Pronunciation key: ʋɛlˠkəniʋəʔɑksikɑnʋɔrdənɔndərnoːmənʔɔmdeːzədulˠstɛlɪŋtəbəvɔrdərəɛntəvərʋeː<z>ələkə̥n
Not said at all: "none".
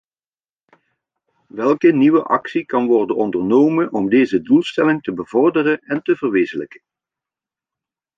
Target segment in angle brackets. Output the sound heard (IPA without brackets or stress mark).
z